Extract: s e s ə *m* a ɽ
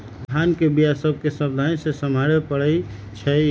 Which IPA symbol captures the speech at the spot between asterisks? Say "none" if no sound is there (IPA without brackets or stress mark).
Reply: m